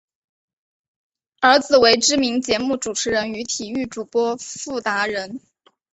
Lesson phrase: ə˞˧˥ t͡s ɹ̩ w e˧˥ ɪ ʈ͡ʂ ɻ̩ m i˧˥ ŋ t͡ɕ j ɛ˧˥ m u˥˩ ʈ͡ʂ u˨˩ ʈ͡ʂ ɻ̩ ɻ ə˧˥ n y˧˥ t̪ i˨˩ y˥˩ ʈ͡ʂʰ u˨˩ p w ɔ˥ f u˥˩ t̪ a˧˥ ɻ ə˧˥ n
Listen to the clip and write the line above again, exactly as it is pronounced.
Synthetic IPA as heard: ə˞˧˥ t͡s ɹ̩ w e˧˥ ɪ ʈ͡ʂ ɻ̩ m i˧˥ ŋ t͡ɕ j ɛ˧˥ m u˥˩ ʈ͡ʂ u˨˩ ʈ͡ʂʰ ɻ̩ ɻ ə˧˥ n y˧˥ t̪ʰ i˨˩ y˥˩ ʈ͡ʂ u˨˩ p w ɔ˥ f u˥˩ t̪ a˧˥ ɻ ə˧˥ n